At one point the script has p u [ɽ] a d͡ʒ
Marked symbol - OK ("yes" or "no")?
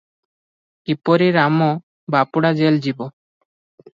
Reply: yes